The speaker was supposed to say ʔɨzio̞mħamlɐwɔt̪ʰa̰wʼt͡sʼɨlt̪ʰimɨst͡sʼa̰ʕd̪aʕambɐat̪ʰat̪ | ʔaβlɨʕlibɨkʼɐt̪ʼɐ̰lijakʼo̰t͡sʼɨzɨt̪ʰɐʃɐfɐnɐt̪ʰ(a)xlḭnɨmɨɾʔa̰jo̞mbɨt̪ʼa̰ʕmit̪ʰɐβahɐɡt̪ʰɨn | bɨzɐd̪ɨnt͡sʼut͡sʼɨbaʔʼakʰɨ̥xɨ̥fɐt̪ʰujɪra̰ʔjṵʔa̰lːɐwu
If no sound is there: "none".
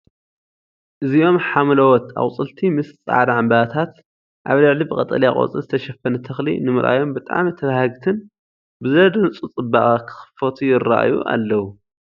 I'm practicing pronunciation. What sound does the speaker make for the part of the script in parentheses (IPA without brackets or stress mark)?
ɐ